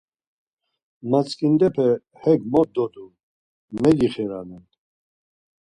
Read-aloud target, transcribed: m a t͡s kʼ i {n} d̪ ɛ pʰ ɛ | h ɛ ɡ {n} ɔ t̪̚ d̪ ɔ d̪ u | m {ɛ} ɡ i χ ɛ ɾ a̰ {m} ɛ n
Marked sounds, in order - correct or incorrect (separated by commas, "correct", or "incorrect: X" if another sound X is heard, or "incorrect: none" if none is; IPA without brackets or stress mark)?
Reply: correct, incorrect: m, correct, incorrect: n